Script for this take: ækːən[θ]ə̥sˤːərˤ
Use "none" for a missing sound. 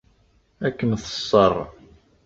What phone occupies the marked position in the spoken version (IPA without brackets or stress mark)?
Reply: θ